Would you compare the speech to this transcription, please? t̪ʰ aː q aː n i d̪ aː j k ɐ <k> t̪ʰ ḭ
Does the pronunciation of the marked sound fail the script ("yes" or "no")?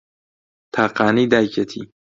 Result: yes